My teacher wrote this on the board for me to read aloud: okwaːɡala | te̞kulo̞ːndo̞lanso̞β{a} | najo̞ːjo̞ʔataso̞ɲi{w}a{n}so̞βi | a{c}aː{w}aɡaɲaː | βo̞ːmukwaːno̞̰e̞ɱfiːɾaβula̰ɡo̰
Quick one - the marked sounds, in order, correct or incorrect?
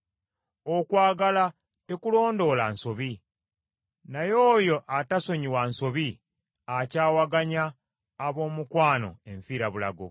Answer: incorrect: i, correct, correct, correct, correct

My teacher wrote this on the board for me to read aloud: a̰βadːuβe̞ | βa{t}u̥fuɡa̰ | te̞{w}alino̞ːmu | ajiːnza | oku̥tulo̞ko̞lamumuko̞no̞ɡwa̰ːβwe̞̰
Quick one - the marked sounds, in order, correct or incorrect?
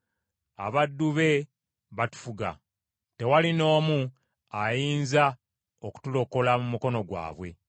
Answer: correct, correct

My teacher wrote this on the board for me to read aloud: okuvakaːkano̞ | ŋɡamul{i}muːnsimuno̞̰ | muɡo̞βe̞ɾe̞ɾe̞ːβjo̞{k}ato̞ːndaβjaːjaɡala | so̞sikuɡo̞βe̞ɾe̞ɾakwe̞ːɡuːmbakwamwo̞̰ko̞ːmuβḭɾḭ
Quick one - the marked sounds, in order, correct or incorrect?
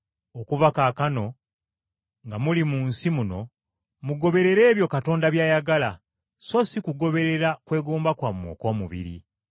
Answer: correct, correct

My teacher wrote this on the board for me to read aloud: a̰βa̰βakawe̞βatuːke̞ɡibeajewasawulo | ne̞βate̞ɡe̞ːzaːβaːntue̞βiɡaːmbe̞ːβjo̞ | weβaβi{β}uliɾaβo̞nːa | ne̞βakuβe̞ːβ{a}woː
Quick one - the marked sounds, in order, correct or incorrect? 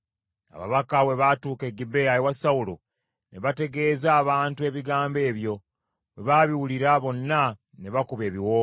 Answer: incorrect: w, incorrect: i

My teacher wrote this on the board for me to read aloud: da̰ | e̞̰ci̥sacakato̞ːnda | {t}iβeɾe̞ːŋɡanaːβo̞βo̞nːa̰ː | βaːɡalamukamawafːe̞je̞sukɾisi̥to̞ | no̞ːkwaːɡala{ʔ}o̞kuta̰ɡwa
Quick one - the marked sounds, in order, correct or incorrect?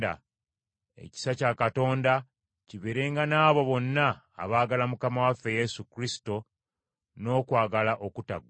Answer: incorrect: c, correct

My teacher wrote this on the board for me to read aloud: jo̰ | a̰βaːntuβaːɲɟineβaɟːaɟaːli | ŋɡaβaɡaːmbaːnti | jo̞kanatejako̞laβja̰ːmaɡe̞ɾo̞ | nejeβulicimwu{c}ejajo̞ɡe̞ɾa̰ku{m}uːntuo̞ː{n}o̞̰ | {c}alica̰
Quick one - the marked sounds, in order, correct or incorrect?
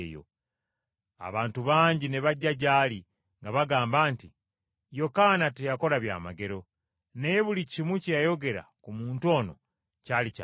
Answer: correct, correct, correct, correct

